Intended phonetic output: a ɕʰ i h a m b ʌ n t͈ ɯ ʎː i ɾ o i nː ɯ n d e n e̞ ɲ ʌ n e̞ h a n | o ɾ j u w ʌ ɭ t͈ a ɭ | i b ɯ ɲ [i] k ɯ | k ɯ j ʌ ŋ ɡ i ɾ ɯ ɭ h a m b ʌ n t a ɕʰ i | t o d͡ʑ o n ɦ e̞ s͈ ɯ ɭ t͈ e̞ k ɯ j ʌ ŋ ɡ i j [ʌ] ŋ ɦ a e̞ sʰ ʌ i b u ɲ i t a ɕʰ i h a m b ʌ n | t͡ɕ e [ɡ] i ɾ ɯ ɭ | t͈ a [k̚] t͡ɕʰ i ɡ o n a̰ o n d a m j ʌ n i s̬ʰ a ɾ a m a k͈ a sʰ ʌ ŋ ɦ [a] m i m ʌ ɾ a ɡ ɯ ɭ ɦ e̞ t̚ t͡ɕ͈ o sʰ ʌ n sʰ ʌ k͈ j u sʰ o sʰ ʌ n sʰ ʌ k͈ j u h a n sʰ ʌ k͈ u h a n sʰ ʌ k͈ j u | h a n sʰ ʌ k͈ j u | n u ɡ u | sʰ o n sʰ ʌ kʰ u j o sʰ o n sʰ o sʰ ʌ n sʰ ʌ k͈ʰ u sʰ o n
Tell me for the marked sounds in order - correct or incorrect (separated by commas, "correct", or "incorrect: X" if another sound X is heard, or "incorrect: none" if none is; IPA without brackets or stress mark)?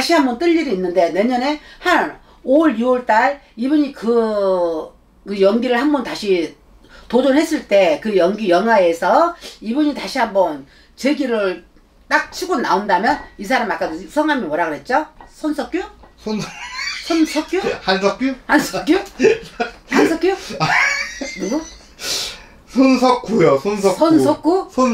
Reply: correct, correct, correct, correct, correct